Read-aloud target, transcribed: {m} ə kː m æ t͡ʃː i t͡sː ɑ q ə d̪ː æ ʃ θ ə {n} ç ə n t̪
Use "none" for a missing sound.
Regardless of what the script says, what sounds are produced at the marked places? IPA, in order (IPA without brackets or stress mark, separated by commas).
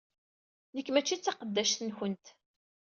n, n